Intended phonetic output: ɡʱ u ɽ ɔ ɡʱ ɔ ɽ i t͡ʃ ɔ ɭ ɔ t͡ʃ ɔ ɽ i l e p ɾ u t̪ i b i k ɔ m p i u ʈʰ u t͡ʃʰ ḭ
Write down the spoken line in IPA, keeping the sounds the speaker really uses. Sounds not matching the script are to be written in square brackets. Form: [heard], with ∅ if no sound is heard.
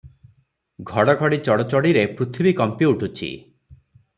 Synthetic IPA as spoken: ɡʱ [ɔ] ɽ ɔ ɡʱ ɔ ɽ i t͡ʃ ɔ [ɽ] ɔ t͡ʃ ɔ ɽ i [ɾ] e p ɾ u [t̪ʰ] i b i k ɔ m p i u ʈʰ u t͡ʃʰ ḭ